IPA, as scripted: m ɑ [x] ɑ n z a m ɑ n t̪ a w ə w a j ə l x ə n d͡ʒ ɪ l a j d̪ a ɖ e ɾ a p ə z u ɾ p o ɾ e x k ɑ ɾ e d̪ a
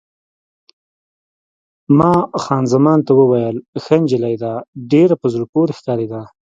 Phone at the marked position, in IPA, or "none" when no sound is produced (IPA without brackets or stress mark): x